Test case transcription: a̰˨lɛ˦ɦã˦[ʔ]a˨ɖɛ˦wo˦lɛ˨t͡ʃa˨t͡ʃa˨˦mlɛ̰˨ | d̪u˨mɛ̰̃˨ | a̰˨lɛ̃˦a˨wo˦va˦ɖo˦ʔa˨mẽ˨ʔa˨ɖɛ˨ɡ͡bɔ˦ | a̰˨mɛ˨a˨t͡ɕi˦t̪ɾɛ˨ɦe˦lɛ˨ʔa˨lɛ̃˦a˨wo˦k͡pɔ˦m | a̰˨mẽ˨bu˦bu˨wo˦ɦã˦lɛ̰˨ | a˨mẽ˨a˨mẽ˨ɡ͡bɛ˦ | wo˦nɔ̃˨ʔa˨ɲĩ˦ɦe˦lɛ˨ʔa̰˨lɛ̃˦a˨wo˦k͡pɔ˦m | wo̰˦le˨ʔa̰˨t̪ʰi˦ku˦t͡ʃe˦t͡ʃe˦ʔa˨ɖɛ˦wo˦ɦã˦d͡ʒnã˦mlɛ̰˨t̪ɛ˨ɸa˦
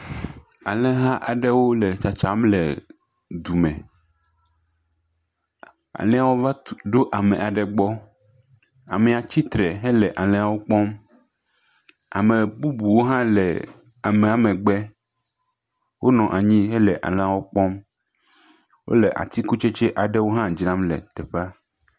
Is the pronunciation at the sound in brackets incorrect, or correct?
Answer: correct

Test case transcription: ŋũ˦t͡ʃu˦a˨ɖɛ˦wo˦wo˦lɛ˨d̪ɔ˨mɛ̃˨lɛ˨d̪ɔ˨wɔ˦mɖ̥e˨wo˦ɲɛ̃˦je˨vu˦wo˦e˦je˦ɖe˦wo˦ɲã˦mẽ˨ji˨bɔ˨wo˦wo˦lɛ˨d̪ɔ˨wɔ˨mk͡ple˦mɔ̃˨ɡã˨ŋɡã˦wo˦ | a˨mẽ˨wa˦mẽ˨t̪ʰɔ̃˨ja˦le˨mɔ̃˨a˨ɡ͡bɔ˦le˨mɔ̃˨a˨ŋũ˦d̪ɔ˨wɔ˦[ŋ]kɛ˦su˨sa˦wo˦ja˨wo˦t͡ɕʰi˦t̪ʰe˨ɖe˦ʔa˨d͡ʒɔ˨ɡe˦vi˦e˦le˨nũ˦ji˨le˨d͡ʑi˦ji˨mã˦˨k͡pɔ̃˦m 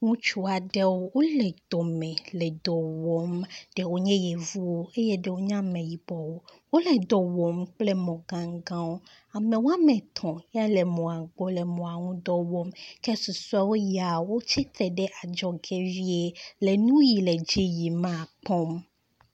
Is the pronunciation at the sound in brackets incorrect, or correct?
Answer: incorrect: m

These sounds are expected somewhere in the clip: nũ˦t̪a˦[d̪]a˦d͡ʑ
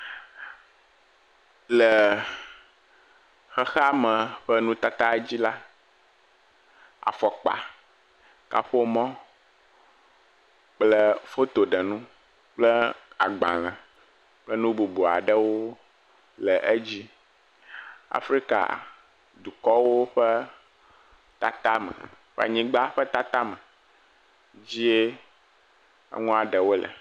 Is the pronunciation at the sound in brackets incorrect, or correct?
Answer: incorrect: t̪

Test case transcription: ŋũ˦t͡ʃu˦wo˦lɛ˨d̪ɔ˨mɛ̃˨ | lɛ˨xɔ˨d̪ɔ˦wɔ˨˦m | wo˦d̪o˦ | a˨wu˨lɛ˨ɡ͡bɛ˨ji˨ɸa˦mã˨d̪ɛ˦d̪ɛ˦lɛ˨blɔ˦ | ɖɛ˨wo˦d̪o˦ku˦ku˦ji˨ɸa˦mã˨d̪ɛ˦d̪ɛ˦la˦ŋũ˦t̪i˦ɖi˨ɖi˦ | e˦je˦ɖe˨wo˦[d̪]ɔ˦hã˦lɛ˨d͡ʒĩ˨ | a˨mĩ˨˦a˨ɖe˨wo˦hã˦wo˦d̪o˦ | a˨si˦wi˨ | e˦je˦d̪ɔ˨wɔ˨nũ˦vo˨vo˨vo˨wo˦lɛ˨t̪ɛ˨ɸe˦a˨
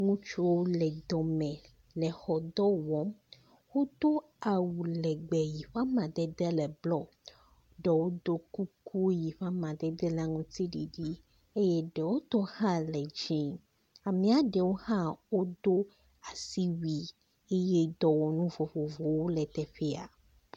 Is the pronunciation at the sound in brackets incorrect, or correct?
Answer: incorrect: t̪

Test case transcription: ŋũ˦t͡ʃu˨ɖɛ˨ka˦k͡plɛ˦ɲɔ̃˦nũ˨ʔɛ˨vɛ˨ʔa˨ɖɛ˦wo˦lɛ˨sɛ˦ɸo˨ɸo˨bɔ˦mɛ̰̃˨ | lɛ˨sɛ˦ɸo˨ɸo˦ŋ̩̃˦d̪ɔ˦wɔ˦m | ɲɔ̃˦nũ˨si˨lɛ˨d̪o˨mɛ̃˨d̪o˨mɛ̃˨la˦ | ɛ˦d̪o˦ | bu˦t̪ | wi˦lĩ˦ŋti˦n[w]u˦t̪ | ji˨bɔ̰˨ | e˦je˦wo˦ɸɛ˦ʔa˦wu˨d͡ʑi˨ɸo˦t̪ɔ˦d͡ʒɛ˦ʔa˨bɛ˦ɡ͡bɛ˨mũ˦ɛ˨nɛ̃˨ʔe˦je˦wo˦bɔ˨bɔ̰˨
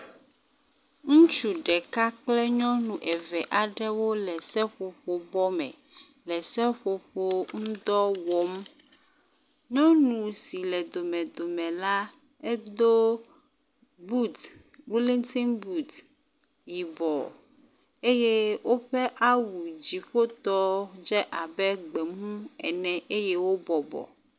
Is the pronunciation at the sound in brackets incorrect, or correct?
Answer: incorrect: b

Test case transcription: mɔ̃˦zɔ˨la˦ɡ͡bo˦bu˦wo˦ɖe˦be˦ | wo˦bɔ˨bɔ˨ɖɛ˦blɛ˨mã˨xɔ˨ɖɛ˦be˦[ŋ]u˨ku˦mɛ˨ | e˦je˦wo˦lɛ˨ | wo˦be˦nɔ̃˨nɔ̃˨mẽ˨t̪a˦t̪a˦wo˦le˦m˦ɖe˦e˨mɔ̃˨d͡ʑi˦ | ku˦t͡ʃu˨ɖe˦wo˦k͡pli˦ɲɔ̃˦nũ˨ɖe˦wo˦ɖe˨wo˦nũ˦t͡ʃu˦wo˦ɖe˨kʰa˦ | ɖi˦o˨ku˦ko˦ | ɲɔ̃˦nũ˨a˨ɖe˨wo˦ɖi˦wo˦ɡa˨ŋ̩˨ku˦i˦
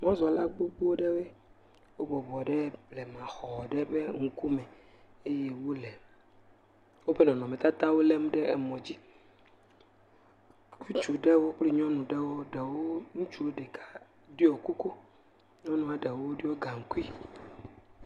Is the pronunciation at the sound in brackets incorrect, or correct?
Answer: correct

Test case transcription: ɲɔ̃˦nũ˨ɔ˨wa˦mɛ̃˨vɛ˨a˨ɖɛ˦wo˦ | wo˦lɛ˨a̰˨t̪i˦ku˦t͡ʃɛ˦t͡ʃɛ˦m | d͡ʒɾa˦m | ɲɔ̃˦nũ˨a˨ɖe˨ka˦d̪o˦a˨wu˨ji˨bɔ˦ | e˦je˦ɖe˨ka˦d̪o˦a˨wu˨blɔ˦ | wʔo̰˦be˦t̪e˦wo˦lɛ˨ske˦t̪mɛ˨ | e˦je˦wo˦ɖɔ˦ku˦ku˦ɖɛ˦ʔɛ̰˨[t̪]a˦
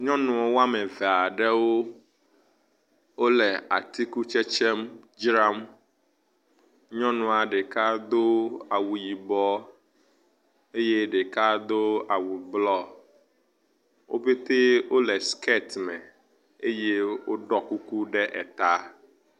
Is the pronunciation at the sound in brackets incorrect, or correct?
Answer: correct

